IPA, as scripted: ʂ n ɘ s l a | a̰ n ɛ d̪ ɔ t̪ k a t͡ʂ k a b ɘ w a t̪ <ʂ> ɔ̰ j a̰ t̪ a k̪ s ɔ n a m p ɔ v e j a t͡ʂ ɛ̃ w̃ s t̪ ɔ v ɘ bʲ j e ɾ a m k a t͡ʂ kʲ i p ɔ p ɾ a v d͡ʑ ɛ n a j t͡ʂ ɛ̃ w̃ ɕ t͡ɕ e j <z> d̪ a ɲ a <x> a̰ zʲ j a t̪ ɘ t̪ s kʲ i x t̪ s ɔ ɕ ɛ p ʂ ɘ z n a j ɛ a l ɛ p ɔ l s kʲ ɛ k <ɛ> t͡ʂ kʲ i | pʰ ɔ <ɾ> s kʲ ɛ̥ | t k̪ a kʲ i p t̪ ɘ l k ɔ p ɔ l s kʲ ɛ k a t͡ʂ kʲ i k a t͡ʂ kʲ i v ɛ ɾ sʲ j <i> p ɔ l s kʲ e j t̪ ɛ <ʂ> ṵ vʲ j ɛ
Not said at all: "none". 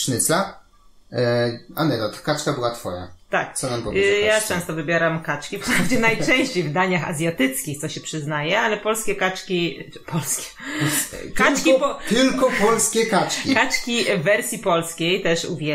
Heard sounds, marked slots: f, v, x, a, l, i, ʂ

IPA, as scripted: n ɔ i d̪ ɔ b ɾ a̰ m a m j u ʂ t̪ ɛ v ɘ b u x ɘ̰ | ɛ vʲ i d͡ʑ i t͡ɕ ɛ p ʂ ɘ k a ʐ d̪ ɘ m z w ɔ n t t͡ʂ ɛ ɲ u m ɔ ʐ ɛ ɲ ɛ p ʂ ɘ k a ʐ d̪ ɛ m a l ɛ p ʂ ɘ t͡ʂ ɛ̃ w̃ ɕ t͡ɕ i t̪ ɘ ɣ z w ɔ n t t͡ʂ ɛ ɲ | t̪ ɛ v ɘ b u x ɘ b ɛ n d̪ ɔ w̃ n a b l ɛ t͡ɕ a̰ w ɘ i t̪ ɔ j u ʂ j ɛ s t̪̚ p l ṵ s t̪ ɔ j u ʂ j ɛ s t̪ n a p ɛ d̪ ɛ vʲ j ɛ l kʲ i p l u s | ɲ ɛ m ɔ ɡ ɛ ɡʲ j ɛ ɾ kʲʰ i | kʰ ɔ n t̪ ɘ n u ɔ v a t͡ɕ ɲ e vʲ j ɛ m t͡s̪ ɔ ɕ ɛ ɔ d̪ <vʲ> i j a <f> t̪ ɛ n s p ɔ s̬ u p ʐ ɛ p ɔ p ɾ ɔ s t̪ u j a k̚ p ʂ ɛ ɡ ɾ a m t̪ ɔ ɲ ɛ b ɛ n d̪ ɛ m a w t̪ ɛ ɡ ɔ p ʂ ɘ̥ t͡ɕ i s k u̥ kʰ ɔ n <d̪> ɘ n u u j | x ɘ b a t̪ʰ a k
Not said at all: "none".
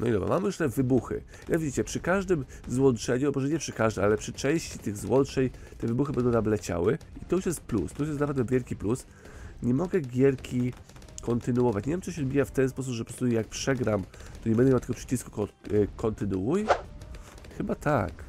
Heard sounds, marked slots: bʲ, f, t̪

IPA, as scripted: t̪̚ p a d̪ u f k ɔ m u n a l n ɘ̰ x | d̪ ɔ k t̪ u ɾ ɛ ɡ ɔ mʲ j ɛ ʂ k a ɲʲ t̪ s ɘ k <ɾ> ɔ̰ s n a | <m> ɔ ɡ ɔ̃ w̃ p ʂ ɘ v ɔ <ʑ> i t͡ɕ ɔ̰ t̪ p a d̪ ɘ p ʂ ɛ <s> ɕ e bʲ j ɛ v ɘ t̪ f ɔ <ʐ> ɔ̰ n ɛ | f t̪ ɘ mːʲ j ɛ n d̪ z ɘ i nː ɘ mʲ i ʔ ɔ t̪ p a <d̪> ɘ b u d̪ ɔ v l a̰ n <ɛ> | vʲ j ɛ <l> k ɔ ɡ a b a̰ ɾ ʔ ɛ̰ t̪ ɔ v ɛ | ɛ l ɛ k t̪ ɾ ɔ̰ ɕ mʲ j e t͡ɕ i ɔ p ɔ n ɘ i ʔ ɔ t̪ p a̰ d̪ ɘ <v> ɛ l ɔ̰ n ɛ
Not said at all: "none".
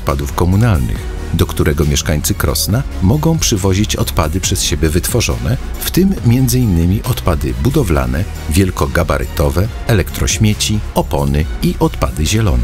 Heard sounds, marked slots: ɾ, m, ʑ, s, ʐ, d̪, ɛ, l, ʑ

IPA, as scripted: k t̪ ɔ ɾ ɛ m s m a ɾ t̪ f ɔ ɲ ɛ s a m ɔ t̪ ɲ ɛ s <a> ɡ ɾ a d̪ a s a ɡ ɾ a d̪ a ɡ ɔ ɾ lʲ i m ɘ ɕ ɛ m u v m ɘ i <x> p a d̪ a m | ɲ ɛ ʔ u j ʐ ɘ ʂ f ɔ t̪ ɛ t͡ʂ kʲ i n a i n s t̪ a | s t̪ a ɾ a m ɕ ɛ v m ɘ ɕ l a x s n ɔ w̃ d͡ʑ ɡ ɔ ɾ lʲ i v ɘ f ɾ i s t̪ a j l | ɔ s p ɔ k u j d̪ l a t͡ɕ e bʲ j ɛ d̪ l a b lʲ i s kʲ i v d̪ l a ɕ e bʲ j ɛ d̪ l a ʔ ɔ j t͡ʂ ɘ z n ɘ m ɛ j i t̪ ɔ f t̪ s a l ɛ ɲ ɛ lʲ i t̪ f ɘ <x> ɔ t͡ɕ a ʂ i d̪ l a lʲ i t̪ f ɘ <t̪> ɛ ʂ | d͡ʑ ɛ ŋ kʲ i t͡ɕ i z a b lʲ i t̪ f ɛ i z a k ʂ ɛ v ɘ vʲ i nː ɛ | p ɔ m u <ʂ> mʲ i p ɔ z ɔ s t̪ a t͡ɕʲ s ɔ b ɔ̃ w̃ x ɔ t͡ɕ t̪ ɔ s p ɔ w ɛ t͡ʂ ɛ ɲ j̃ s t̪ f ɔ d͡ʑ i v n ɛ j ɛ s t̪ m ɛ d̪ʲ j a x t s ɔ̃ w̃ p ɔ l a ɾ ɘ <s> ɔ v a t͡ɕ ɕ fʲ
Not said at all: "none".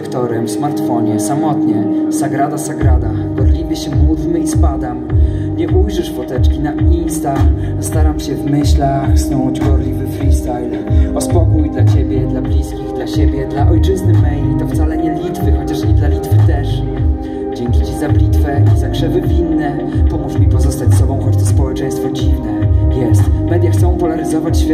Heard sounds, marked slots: a, s, x, t̪, ʂ, z

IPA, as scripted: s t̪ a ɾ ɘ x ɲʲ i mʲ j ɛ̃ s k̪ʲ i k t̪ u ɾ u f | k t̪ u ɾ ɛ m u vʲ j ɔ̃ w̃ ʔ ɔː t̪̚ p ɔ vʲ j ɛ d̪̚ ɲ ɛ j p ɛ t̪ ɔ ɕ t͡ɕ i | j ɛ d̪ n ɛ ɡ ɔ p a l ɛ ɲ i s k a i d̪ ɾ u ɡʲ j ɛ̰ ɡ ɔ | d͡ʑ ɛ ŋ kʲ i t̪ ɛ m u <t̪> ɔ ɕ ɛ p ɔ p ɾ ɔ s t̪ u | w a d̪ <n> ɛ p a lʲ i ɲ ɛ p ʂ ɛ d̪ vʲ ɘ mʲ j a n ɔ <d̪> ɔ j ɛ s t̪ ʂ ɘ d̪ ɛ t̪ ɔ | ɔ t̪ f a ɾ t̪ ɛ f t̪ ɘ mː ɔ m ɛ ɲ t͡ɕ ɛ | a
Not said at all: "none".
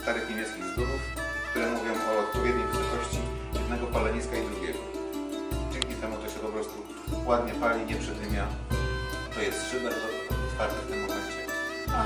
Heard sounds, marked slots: t̪, ɲ, t̪

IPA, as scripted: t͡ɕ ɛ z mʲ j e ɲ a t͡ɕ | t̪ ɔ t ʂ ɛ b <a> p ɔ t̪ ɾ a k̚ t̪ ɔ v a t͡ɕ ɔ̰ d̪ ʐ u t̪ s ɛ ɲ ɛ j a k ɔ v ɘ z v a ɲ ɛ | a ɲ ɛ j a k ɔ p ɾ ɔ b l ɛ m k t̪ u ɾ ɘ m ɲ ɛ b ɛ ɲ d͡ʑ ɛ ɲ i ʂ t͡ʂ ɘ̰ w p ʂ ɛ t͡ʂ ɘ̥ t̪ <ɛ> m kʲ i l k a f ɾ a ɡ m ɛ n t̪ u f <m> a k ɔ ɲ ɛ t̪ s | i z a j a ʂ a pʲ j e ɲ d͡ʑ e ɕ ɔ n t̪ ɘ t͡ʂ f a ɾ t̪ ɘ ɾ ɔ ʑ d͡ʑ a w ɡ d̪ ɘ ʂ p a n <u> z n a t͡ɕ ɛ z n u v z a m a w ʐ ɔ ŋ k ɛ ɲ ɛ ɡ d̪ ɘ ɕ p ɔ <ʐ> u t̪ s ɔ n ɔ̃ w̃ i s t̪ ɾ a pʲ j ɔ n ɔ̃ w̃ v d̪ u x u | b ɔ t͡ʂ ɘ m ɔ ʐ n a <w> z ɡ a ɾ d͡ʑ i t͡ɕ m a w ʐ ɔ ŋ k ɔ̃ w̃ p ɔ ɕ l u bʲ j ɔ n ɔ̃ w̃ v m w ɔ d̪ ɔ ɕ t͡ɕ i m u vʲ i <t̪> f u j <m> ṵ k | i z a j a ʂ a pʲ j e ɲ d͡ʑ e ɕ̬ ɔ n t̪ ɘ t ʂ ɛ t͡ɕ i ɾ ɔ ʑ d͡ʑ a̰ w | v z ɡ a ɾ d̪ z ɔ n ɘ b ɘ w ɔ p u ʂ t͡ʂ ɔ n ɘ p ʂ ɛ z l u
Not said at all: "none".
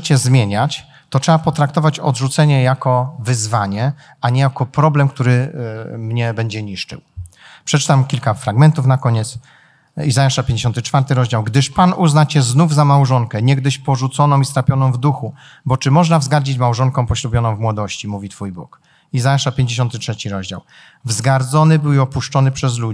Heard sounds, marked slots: a, a, n, u, ʐ, v, t̪, b

